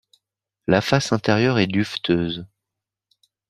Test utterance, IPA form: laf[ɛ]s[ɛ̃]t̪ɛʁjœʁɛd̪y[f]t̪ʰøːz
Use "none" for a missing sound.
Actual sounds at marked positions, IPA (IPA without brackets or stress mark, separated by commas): a, ɛ̃, f